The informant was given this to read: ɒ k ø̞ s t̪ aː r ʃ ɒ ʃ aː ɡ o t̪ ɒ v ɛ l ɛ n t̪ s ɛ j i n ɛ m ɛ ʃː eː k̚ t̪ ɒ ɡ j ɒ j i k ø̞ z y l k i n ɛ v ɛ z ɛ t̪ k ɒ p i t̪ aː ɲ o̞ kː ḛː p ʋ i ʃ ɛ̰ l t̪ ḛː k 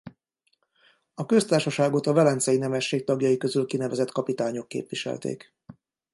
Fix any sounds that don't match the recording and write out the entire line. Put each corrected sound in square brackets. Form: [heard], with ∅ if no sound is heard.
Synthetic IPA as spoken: ɒ k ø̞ s t̪ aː r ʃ ɒ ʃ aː ɡ o t̪ ɒ v ɛ l ɛ n t̪ s ɛ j i n ɛ m ɛ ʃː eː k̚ t̪ ɒ ɡ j ɒ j i k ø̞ z y l k i n ɛ v ɛ z ɛ t̪ k ɒ p i t̪ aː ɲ o̞ kː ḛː p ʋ i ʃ ɛ̰ l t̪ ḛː k